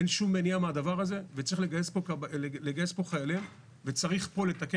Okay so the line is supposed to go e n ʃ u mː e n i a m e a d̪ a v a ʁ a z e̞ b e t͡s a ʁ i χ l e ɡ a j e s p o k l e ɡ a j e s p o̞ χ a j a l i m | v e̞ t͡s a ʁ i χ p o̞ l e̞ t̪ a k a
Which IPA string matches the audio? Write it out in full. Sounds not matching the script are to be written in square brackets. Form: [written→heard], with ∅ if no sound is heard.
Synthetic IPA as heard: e n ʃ u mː e n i a m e a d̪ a v a ʁ a z e̞ [b→v] e t͡s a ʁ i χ l e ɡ a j e s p o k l e ɡ a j e s p o̞ χ a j a l i m | v e̞ t͡s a ʁ i χ p o̞ l e̞ t̪ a k [a→e]